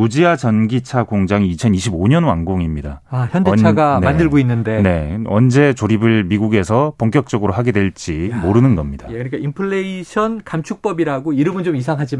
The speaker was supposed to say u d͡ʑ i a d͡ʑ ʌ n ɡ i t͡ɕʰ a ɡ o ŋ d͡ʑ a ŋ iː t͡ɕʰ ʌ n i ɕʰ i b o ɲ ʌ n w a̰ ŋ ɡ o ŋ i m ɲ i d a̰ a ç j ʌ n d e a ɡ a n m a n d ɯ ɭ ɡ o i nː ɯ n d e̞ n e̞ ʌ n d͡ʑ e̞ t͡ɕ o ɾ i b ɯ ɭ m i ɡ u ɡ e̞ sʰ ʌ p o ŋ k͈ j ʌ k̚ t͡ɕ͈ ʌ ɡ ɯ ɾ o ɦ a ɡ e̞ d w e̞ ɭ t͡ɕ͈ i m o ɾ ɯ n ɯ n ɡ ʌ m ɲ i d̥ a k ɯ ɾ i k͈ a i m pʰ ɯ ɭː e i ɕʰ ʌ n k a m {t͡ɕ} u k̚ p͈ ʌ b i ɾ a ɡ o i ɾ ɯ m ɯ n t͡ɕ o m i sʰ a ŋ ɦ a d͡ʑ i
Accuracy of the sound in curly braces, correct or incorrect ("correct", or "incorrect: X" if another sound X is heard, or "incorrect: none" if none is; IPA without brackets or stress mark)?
incorrect: t͡ɕʰ